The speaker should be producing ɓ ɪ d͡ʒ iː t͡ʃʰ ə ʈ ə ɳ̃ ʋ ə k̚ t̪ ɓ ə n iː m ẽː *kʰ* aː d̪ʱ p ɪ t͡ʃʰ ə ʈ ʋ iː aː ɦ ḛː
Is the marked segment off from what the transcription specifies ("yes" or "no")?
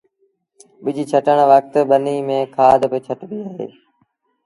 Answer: no